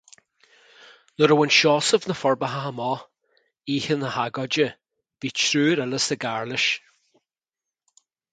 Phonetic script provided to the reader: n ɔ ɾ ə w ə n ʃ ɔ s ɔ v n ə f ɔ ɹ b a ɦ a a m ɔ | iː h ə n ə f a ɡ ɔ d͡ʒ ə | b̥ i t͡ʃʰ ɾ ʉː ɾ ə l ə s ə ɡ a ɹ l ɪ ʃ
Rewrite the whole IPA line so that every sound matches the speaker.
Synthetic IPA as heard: n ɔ ɾ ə w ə n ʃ ɔ s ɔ v n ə f ɔ ɹ b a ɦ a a m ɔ | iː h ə n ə h a ɡ ɔ d͡ʒ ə | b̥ i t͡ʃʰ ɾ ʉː ɾ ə l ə s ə ɡ a ɹ l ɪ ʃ